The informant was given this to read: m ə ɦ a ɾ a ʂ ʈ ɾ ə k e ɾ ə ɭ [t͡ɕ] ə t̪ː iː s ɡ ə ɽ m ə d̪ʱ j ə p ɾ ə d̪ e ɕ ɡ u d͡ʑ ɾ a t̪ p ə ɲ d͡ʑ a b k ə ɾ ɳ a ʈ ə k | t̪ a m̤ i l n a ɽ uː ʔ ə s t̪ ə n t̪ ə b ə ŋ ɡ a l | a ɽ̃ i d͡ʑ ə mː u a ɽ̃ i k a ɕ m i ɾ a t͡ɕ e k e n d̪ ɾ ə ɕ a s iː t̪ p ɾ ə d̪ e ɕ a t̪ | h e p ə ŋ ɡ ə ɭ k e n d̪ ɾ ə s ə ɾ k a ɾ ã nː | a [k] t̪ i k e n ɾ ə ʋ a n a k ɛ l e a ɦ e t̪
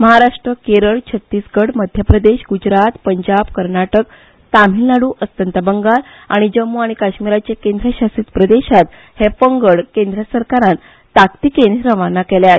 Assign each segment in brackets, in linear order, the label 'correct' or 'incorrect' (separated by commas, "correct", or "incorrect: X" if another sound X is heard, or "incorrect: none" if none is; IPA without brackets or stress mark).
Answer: incorrect: t͡ɕʰ, correct